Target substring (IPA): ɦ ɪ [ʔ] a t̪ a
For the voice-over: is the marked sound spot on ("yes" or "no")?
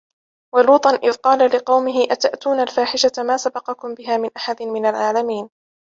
yes